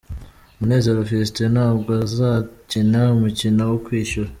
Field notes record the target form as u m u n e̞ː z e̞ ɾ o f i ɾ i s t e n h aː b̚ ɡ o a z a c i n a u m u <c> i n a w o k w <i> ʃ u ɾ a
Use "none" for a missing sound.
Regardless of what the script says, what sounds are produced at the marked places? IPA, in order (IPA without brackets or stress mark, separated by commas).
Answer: c, iː